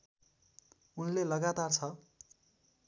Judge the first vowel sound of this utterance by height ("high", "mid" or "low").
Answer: high